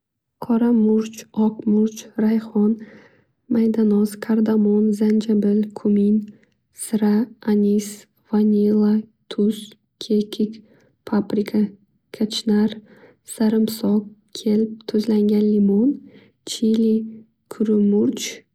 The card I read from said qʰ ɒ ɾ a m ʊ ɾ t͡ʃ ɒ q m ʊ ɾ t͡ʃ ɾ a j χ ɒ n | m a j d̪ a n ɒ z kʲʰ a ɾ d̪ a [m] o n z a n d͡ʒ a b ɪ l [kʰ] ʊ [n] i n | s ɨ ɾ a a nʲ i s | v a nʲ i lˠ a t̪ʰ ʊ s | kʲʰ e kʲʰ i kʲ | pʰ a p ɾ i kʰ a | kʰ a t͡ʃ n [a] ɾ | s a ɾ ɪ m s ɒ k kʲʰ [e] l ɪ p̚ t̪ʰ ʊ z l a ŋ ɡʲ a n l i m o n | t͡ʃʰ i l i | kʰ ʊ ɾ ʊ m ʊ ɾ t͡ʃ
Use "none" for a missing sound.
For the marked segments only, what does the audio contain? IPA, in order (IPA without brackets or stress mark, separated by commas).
m, kʰ, m, a, e